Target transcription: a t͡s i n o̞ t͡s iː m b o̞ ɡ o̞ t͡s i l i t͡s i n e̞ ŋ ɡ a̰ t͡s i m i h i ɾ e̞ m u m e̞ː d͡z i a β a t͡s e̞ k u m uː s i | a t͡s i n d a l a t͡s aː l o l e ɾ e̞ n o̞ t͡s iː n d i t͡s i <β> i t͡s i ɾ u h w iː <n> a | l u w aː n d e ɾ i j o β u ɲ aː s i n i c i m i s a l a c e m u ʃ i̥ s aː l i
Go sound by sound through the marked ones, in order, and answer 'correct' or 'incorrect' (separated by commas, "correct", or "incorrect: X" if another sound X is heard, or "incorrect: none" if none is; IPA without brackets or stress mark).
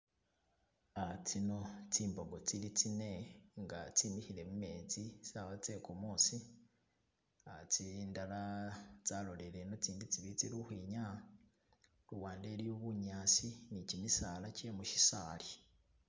correct, incorrect: ɲ